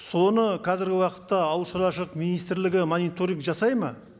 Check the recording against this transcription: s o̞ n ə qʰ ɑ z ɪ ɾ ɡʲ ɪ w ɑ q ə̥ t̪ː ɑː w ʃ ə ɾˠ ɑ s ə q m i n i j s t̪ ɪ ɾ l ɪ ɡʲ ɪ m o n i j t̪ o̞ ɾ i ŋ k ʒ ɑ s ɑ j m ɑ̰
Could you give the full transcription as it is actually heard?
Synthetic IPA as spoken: s o̞ n ə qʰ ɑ z ɪ ɾ ɡʲ ɪ w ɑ q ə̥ t̪ː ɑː w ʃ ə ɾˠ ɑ ʃ ə q m i n i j s t̪ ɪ ɾ l ɪ ɡʲ ɪ m o n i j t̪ o̞ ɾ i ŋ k ʒ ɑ s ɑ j m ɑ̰